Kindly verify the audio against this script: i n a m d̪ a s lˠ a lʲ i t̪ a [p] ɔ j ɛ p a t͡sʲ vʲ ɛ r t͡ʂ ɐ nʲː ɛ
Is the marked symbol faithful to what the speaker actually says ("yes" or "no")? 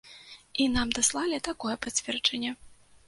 no